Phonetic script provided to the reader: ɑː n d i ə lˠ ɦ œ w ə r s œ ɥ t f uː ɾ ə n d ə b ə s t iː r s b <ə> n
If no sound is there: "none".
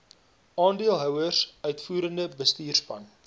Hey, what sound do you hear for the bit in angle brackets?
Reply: ɐ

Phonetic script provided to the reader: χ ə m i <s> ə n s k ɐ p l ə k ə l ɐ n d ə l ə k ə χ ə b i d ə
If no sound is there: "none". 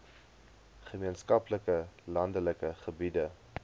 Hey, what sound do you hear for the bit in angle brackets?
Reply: none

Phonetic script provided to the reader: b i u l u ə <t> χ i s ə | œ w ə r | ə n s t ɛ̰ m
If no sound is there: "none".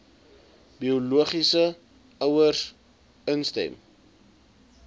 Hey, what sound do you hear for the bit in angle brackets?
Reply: none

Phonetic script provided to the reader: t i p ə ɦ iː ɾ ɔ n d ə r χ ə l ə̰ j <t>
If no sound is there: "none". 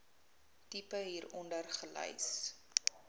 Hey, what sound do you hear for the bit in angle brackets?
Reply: s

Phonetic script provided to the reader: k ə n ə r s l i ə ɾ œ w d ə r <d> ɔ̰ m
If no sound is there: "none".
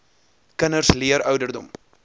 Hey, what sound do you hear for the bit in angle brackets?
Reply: d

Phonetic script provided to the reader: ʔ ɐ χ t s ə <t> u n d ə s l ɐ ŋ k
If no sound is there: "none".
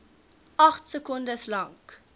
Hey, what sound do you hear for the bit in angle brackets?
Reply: k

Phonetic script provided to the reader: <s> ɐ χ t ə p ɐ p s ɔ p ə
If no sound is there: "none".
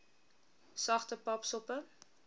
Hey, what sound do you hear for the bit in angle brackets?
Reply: s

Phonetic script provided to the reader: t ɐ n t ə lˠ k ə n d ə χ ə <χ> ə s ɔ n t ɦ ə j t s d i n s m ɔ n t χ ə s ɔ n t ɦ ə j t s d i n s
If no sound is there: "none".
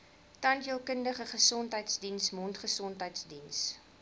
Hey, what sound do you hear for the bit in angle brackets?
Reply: χ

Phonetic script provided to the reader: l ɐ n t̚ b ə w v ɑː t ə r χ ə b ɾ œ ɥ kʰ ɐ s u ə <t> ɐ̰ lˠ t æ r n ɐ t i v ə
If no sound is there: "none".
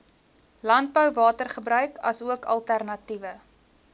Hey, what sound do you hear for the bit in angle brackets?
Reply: k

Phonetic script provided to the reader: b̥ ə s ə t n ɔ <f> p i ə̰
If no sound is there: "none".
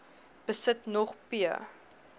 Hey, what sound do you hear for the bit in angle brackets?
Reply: χ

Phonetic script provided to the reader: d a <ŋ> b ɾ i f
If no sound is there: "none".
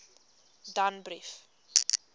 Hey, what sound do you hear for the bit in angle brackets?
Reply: n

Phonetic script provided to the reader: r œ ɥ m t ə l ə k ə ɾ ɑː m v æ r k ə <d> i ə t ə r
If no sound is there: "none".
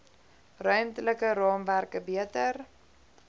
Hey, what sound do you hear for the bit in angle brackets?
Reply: b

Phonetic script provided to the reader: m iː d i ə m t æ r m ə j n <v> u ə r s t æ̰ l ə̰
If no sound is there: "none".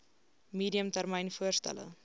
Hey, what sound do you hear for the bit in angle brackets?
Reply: f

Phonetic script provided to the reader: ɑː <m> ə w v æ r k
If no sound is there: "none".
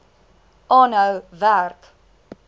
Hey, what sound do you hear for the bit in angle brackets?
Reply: n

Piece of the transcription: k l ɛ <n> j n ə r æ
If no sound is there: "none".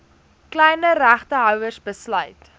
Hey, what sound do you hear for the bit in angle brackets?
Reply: none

